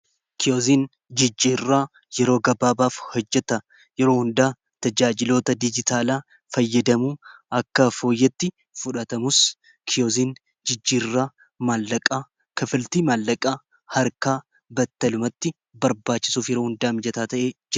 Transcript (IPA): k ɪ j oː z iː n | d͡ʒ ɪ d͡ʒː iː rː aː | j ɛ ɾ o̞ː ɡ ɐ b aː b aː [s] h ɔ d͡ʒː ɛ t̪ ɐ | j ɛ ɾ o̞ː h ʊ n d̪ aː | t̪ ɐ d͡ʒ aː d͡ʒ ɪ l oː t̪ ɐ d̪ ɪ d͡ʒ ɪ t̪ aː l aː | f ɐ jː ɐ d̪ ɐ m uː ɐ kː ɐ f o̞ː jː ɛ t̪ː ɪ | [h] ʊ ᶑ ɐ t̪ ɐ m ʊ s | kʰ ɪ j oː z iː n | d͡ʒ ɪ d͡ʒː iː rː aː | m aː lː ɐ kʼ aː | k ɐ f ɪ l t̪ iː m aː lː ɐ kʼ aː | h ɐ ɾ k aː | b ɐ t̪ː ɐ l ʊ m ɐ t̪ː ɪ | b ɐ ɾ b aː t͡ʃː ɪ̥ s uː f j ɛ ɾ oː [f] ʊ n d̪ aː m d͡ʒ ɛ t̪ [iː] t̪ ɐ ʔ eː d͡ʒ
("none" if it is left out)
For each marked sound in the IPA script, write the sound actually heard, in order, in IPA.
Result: f, f, h, aː

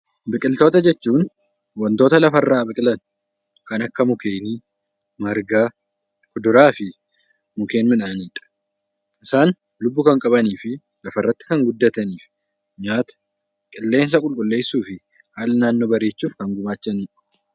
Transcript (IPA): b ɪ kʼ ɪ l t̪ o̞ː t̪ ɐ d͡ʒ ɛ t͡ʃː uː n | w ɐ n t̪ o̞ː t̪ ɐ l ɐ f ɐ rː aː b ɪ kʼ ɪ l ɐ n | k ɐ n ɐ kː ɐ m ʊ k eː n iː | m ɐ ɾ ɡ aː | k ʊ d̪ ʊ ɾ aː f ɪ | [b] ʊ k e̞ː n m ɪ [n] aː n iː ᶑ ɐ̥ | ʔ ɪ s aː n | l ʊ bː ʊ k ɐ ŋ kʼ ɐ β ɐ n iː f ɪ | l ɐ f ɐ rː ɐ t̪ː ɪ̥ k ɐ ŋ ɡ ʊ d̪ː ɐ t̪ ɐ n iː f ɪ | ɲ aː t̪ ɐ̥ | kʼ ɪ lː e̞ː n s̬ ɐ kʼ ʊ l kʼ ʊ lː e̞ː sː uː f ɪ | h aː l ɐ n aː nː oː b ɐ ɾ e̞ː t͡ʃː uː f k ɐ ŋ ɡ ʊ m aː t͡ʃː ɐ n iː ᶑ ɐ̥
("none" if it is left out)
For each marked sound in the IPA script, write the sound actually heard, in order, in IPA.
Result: m, n

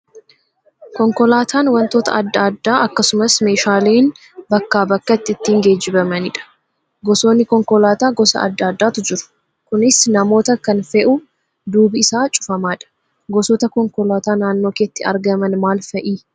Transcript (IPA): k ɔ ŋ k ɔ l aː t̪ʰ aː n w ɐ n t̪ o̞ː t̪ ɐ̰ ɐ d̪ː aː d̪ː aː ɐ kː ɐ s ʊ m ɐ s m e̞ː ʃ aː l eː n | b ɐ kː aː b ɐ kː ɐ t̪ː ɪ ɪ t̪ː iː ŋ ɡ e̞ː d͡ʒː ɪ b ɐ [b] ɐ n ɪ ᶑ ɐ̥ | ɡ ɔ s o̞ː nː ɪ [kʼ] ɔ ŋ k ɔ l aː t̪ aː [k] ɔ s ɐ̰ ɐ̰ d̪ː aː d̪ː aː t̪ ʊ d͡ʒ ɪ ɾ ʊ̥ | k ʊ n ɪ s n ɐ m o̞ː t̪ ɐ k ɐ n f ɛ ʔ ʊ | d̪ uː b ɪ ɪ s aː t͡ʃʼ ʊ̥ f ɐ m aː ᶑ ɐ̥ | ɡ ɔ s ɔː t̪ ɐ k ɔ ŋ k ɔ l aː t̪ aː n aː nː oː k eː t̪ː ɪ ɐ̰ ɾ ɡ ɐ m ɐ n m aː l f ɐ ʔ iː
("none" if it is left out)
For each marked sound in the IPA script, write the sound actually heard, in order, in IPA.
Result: m, k, ɡ

